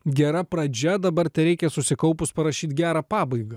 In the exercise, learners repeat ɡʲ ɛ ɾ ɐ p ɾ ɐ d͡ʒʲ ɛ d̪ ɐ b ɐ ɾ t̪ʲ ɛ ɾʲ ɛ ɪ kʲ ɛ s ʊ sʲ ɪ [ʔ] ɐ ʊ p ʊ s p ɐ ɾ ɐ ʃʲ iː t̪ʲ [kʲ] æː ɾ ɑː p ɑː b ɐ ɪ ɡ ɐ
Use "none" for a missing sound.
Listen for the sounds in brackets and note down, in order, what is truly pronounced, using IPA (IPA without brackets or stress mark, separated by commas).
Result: k, ɡʲ